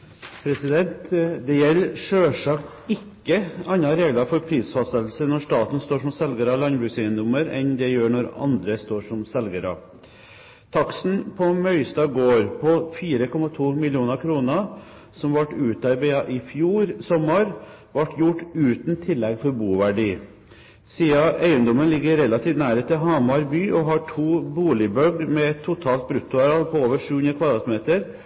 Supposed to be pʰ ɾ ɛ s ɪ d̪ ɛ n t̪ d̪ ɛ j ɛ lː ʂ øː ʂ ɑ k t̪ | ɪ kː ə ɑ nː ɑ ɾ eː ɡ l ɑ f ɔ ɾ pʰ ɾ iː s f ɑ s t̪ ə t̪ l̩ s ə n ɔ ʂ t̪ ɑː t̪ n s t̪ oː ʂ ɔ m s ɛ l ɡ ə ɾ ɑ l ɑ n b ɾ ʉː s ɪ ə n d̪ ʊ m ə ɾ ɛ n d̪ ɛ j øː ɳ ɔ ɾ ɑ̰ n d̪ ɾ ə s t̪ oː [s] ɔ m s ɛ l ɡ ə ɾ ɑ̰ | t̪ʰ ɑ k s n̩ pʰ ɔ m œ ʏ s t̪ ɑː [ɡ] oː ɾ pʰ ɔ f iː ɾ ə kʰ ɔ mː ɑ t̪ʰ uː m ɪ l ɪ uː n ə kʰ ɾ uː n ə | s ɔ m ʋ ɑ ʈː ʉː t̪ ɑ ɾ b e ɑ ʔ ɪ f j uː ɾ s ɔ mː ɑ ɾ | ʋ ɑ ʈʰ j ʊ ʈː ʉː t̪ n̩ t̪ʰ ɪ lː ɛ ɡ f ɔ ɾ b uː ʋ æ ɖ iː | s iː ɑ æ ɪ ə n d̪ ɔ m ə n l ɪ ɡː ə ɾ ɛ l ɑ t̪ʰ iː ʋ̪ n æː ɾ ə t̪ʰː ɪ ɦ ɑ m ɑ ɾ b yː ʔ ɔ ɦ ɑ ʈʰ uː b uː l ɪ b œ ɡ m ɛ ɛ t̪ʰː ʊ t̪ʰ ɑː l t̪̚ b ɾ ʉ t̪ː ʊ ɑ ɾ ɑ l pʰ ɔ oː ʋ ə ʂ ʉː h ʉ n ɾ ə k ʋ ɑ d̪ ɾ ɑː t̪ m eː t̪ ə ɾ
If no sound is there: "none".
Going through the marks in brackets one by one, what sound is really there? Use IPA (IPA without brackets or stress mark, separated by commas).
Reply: ʂ, ɡ